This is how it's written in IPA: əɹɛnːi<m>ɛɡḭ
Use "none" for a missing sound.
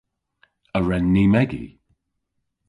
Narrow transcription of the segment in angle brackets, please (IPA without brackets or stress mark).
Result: m